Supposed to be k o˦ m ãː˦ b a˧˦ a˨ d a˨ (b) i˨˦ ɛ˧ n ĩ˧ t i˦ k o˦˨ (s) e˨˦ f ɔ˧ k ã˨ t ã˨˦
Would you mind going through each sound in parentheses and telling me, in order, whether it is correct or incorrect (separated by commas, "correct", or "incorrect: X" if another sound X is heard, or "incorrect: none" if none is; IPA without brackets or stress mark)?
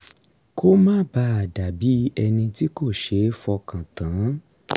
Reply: correct, incorrect: ʃ